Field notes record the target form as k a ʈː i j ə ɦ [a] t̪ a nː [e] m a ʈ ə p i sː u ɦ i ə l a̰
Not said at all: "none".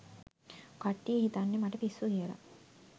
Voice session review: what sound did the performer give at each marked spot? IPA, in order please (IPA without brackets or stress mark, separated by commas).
i, e